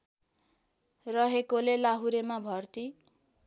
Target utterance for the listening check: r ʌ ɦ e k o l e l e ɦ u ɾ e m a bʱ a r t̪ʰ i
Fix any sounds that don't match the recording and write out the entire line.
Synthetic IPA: r ʌ ɦ e k o l e l a ɦ u ɾ e m a bʱ ʌ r t̪ i